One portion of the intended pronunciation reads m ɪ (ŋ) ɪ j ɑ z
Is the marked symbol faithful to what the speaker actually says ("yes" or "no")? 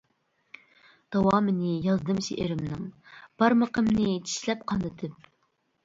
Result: no